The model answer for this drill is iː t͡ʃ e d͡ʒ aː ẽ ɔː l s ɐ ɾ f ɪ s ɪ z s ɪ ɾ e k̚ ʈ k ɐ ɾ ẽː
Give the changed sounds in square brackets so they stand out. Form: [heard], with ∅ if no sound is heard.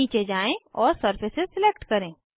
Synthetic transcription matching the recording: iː t͡ʃ e d͡ʒ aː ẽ ɔː [ɾ] s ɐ ɾ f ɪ s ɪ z s ɪ [l] e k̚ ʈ k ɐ ɾ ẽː